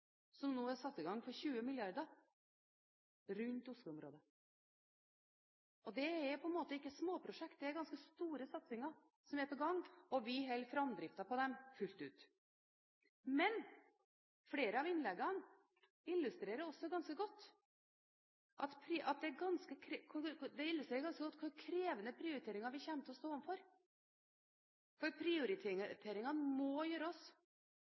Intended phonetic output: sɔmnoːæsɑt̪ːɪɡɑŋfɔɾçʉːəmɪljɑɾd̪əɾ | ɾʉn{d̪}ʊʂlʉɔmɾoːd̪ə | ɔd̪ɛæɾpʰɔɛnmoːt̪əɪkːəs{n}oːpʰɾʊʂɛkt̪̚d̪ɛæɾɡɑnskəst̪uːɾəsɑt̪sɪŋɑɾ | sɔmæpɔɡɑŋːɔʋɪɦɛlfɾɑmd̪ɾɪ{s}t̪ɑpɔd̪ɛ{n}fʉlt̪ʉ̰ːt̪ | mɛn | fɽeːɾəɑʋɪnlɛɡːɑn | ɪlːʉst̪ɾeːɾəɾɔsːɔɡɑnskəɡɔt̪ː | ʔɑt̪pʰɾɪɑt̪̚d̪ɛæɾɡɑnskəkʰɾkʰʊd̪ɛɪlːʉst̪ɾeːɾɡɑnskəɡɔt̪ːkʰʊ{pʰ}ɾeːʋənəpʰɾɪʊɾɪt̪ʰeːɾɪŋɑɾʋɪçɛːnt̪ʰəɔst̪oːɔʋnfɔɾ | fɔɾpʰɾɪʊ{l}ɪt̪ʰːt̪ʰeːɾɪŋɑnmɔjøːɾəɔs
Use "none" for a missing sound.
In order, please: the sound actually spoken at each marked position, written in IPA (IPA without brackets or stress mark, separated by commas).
t̪, m, f, m, kʰ, ɾ